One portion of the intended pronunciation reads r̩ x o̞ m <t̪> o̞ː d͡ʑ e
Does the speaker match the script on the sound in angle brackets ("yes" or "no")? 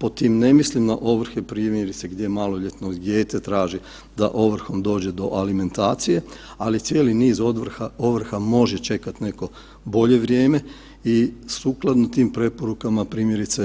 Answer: no